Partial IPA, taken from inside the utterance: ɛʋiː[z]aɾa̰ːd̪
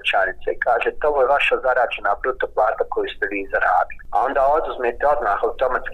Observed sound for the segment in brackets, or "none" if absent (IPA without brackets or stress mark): z